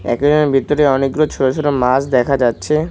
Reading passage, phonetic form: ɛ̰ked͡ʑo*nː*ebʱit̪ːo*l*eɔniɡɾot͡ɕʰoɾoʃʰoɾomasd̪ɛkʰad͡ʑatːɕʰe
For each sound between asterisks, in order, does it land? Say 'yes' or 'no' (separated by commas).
no, no